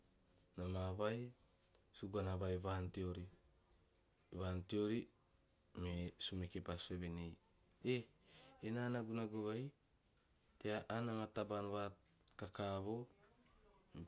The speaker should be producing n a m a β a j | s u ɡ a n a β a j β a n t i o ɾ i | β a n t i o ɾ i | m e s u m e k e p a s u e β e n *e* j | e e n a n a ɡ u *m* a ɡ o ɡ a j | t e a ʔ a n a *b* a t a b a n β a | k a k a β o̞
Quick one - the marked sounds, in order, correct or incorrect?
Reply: correct, incorrect, incorrect

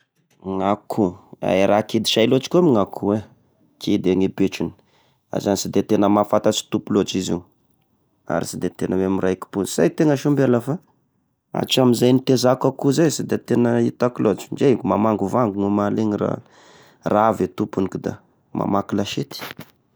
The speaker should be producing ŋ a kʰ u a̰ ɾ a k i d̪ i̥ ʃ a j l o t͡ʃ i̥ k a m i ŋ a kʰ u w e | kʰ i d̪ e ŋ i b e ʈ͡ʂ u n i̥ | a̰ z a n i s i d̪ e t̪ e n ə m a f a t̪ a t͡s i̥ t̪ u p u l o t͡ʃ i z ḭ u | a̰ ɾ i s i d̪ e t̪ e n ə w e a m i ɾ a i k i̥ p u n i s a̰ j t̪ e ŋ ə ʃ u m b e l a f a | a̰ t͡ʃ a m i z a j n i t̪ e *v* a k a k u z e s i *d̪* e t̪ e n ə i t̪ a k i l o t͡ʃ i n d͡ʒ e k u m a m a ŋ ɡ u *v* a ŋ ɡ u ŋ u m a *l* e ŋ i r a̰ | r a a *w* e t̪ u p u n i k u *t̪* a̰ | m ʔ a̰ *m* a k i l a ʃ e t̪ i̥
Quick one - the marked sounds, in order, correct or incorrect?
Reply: incorrect, correct, correct, correct, incorrect, incorrect, correct

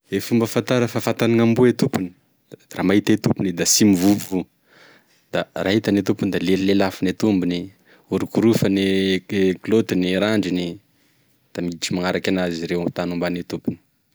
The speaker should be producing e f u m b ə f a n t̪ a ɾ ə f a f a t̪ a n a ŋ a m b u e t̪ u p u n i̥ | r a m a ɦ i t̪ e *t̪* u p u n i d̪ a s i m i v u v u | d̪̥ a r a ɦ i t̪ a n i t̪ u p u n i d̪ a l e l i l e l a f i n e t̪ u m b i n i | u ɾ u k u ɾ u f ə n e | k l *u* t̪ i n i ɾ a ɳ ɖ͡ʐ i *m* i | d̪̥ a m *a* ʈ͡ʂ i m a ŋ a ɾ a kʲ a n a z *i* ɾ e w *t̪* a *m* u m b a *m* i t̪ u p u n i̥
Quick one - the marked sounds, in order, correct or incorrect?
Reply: correct, incorrect, incorrect, incorrect, correct, correct, incorrect, incorrect

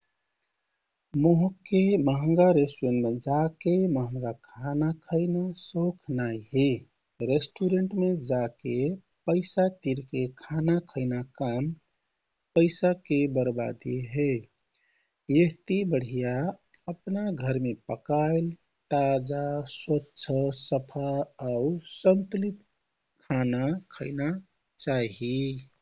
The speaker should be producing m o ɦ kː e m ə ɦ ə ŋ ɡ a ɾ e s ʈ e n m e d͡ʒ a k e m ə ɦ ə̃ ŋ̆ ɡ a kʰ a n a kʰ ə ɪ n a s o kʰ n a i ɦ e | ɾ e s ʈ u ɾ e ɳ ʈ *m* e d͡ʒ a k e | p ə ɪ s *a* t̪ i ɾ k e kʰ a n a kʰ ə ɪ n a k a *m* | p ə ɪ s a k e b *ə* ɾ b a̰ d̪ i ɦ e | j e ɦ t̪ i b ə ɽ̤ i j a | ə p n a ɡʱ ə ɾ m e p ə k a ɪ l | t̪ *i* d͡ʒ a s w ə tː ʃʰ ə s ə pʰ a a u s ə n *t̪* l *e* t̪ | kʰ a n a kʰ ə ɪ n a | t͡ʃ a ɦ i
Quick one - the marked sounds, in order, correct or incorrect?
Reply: correct, correct, correct, correct, incorrect, correct, incorrect

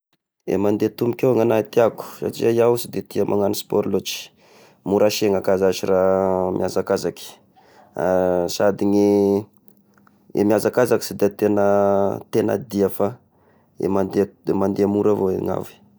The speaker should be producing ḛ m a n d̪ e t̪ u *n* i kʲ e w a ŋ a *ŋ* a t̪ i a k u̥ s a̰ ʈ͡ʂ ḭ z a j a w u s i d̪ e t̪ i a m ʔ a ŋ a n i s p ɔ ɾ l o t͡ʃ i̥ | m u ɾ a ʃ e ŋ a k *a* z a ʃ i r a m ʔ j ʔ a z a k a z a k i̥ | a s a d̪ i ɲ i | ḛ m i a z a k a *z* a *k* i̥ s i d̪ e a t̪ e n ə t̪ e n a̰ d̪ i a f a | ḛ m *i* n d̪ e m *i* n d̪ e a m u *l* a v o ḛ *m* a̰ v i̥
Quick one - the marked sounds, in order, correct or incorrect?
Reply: incorrect, incorrect, correct, correct, correct, incorrect, incorrect, incorrect, incorrect

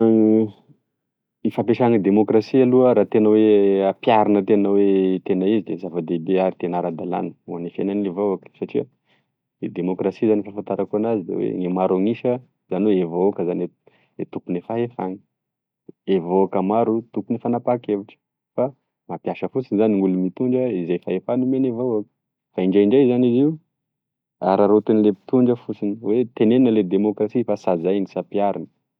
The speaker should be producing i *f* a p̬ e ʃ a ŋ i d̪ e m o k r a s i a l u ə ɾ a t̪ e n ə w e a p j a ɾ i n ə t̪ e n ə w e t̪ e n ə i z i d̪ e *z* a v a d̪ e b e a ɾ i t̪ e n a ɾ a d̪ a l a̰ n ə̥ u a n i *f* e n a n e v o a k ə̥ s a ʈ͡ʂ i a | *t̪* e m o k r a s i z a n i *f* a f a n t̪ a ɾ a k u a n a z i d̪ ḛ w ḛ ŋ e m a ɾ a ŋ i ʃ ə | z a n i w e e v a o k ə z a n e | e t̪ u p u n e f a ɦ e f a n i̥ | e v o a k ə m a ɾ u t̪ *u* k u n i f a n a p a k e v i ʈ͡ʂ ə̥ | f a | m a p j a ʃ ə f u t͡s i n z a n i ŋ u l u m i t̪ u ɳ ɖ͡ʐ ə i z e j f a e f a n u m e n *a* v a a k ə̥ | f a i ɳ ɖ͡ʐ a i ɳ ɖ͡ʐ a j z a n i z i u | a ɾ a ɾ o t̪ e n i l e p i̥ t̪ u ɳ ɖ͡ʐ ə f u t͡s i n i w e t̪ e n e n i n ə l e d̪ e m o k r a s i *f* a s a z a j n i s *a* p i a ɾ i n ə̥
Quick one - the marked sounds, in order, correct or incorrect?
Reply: correct, correct, correct, incorrect, correct, correct, incorrect, correct, correct

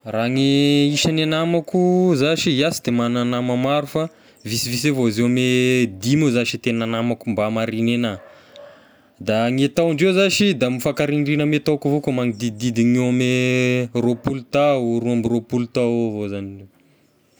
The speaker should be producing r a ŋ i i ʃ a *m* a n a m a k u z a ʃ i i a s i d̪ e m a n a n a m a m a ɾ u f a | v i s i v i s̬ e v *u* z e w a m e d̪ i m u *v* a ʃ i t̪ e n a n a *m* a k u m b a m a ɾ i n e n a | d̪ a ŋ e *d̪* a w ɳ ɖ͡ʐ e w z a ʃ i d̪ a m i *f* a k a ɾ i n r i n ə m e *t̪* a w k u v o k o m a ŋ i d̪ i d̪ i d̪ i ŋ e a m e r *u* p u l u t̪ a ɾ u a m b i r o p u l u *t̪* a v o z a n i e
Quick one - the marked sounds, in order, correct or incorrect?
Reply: incorrect, incorrect, incorrect, correct, incorrect, correct, correct, incorrect, correct

